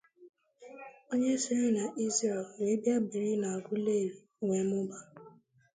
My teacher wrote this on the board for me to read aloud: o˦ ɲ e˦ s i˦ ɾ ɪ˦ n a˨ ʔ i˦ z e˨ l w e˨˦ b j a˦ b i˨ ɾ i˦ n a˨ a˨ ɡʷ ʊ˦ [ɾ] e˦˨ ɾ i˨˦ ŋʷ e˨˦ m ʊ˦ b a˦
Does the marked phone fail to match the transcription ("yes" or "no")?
yes